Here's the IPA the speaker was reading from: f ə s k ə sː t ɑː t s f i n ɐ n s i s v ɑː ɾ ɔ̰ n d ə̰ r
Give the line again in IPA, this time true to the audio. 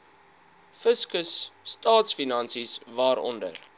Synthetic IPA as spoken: f ə s k ə sː t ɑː t s f i n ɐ n s i s v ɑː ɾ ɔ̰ n d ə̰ r